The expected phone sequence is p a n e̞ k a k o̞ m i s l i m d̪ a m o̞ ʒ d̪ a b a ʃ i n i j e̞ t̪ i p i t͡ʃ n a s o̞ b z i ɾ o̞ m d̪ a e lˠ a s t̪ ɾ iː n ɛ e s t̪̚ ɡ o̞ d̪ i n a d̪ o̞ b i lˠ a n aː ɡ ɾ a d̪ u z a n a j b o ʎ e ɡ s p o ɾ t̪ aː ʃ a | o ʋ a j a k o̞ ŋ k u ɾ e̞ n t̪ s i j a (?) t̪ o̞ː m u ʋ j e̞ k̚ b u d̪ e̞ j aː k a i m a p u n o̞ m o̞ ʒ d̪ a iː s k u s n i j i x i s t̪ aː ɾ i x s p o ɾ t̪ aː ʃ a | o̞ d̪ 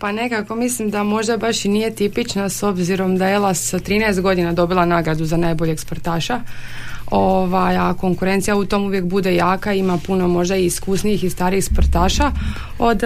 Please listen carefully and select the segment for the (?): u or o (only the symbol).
u